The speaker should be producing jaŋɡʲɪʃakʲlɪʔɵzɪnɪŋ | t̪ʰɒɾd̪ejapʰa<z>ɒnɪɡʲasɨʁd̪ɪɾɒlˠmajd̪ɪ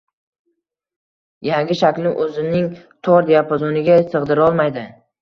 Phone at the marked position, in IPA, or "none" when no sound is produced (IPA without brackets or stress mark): z